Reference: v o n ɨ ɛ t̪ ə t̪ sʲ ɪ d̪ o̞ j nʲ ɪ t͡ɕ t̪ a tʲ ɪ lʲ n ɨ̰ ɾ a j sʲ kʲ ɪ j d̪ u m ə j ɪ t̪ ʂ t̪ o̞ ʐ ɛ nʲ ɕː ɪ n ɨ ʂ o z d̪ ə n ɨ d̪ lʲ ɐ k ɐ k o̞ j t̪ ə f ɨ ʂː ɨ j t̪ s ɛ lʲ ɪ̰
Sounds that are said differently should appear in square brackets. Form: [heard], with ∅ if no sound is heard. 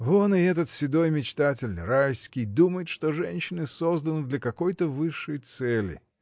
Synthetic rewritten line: v o n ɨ ɛ t̪ ə t̪ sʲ ɪ d̪ o̞ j [mʲ] ɪ t͡ɕ t̪ a tʲ ɪ lʲ n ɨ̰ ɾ a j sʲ kʲ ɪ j d̪ u m ə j ɪ t̪ ʂ t̪ o̞ ʐ ɛ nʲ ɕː ɪ n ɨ [s] o z d̪ ə n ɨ d̪ lʲ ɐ k ɐ k o̞ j t̪ ə [v] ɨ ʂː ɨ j t̪ s ɛ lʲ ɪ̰